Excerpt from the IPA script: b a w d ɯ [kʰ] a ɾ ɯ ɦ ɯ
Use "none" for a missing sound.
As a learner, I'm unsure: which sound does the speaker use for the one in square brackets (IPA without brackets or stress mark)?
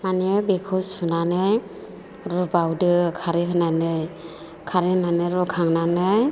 kʰ